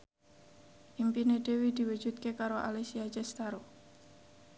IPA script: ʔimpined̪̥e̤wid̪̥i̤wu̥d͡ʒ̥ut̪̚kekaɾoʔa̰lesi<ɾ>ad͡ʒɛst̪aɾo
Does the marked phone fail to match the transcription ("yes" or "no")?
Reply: yes